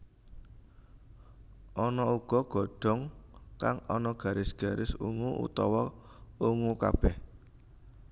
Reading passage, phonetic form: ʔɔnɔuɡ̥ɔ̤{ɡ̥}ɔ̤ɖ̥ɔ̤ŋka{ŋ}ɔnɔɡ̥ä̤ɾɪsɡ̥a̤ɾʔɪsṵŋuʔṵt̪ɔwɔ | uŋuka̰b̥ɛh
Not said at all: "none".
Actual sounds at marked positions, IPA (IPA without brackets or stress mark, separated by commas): ɡ̥, ŋ